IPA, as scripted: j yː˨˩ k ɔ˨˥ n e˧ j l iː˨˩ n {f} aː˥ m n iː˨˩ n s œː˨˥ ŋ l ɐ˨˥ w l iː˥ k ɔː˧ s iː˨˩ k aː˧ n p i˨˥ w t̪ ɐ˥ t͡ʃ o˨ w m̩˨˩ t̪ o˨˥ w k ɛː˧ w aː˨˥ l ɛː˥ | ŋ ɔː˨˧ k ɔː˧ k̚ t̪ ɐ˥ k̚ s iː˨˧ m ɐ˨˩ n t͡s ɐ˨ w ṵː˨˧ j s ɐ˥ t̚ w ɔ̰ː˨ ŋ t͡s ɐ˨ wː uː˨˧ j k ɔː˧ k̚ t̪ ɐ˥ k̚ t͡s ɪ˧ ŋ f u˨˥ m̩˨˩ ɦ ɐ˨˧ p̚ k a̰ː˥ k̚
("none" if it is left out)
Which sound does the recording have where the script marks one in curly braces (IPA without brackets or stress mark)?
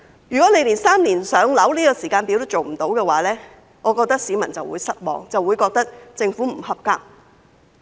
s